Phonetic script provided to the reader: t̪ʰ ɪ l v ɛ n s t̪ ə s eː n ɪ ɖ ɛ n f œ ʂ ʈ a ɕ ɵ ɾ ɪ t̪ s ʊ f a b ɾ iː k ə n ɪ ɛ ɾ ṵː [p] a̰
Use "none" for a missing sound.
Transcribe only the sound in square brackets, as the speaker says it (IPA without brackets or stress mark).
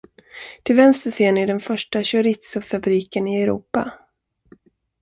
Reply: p